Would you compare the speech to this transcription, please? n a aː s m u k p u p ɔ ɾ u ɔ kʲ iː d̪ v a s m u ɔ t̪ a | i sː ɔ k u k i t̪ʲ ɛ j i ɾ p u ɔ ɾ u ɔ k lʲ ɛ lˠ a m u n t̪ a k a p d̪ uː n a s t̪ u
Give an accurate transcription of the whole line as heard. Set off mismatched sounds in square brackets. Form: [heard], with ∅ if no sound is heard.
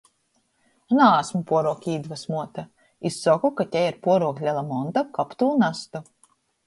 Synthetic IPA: n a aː s m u [∅] p u [∅] ɔ ɾ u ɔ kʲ iː d̪ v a s m u ɔ t̪ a | i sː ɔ k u k [a] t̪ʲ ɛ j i ɾ p u ɔ ɾ u ɔ k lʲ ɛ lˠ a m [ɔ] n t̪ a k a p [t̪] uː n a s t̪ u

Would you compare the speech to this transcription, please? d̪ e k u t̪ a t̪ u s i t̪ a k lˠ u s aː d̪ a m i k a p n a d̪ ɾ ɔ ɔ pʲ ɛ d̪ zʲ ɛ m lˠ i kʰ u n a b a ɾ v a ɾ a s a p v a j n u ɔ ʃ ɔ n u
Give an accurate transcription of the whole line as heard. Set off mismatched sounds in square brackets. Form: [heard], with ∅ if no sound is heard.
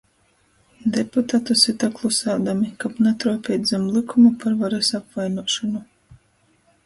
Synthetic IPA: d̪ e [p] u t̪ a t̪ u s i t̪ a k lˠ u s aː d̪ a m i k a p n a [t̪] ɾ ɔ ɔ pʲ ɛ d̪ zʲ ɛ m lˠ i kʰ u [m] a [p] a ɾ v a ɾ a s a p v a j n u ɔ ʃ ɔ n u

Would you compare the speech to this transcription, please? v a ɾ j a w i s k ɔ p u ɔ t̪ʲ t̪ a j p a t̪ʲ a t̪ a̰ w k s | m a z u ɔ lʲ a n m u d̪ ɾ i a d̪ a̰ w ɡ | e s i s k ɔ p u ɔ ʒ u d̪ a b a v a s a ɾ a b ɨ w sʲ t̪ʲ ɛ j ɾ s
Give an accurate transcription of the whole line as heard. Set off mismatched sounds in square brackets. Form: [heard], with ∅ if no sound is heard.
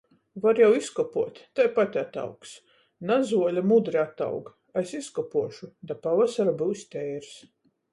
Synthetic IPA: v a ɾ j a w i s k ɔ p u ɔ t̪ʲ t̪ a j p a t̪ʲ a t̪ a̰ w k s | [n] a z u ɔ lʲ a [∅] m u d̪ ɾ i a [t̪] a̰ w ɡ | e s i s k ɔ p u ɔ [ʃ] u d̪ a [p] a v a s a ɾ a b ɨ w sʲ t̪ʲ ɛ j ɾ s

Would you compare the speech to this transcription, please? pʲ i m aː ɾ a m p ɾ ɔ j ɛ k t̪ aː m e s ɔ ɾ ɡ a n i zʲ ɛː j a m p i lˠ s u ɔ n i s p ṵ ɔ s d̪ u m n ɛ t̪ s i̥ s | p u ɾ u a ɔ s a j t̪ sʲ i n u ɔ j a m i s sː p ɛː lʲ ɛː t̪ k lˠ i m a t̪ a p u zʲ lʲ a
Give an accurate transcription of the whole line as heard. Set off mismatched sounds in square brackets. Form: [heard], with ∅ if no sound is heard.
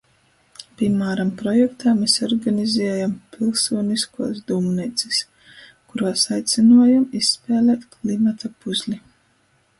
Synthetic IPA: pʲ i m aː ɾ a m p ɾ ɔ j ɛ k t̪ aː m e s ɔ ɾ ɡ a n i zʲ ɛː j a m p i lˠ s u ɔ n i s [k] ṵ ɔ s d̪ u m n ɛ t̪ s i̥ s | [k] u ɾ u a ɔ s a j t̪ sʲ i n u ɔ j a m i s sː p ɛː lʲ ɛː t̪ k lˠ i m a t̪ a p u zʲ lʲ [i]

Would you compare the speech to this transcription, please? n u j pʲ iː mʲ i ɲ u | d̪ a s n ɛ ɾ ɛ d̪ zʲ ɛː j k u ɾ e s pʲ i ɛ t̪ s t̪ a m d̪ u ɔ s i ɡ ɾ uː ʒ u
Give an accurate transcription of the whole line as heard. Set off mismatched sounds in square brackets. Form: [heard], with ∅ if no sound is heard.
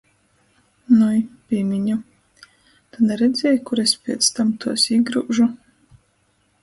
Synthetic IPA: n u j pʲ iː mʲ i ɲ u | [t̪] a [∅] n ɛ ɾ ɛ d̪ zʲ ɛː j k u ɾ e s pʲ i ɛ t̪ s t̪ a m [t̪] u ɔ s i ɡ ɾ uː ʒ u

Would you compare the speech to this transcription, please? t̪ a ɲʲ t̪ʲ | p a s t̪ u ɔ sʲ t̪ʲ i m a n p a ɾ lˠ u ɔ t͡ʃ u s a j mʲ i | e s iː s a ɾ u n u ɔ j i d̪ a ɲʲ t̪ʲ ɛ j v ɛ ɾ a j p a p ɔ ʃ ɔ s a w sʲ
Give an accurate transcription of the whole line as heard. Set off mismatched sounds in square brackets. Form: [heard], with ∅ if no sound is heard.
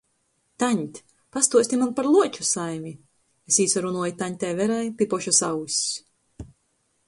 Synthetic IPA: t̪ a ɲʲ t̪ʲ | p a s t̪ u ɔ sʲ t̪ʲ i m a n p a ɾ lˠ u ɔ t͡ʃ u s a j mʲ i | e s iː s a ɾ u n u ɔ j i [t̪] a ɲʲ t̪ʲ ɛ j v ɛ ɾ a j p [i] p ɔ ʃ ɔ s a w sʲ

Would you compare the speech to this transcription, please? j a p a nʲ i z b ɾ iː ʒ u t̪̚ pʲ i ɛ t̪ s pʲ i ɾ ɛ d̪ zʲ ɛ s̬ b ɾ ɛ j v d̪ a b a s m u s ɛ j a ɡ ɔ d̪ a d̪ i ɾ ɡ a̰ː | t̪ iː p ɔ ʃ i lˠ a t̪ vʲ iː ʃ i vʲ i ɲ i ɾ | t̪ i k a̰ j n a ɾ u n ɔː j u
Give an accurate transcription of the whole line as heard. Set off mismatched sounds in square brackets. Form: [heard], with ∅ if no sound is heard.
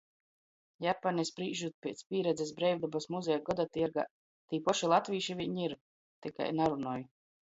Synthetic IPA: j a p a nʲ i [s] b ɾ iː ʒ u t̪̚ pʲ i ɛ t̪ s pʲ [iː] ɾ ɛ d̪ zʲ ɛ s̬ b ɾ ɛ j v d̪ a b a s m u [z] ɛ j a ɡ ɔ d̪ a [t̪] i ɾ ɡ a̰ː | t̪ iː p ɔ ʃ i lˠ a t̪ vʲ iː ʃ i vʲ i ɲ i ɾ | t̪ i k a̰ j n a ɾ u n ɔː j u

